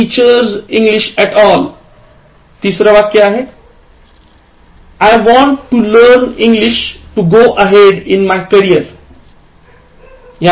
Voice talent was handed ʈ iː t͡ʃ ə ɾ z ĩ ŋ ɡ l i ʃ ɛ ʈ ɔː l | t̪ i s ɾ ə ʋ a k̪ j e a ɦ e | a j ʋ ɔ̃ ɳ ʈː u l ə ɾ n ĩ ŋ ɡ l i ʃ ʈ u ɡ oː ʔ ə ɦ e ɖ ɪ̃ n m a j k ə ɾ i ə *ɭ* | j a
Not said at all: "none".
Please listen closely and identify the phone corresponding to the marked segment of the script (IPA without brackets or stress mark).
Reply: ɾ